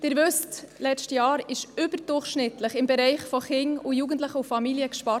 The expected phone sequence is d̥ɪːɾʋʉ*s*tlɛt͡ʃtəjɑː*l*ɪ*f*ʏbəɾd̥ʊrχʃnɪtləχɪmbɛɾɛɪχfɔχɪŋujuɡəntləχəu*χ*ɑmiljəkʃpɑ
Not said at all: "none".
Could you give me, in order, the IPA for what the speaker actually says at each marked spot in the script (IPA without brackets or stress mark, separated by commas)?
s, ɾ, ʃ, f